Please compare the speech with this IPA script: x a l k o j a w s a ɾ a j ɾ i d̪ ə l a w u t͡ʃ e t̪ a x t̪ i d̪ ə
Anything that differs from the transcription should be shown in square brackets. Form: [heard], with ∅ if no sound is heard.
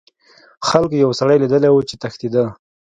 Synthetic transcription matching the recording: x a l k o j a w s a [ɽ] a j [l] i d̪ ə l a w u t͡ʃ e t̪ a x t̪ i d̪ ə

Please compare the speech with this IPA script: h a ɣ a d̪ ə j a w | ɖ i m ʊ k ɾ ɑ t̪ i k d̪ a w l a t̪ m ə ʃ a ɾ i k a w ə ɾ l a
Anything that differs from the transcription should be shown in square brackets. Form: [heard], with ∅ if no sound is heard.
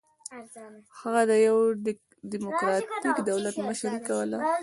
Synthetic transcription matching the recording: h a ɣ a d̪ ə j a w | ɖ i m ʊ k ɾ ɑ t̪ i k d̪ a w l a t̪ m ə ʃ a ɾ i k a w ə [∅] l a

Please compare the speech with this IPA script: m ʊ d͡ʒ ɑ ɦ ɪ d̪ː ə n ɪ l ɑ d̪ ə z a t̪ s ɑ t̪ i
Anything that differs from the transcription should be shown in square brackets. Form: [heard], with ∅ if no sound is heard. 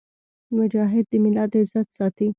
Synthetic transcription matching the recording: m ʊ d͡ʒ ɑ ɦ ɪ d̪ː ə [m] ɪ l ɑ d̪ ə z a t̪ s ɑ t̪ i

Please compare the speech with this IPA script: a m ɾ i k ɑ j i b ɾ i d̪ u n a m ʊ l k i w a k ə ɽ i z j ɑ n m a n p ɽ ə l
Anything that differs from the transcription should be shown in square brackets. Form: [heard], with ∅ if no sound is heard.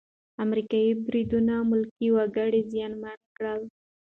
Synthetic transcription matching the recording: a m ɾ i k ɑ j i b ɾ i d̪ u n a m ʊ l k i w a [ɡ] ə ɽ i z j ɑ n m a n [k] ɽ ə l

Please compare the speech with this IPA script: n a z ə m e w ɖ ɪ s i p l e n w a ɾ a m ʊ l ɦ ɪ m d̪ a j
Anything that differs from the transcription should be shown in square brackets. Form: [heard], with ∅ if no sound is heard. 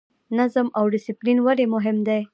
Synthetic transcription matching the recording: n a z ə m [a] w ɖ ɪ s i p l [i] n w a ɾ [e] m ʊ [∅] ɦ ɪ m d̪ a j

